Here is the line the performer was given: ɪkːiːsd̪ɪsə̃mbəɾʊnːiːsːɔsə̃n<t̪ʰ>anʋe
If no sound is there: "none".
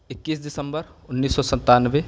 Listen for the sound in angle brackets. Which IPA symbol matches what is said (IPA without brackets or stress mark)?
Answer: t̪